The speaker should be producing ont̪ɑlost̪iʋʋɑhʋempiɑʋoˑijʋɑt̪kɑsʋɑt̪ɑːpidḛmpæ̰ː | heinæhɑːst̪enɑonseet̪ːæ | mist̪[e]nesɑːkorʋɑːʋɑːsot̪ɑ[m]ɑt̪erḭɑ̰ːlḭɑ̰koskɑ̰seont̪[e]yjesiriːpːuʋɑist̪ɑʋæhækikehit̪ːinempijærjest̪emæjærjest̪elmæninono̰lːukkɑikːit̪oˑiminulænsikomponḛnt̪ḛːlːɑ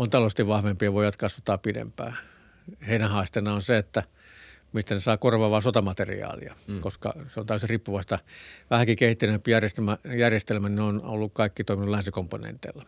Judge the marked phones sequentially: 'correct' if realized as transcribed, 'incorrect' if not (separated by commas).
incorrect, correct, incorrect